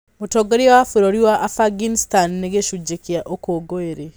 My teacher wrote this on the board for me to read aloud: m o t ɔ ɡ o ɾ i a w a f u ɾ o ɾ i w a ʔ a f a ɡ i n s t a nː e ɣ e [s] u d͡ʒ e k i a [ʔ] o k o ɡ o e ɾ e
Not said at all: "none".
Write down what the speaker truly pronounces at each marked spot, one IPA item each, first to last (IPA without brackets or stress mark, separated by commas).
ʃ, ʔ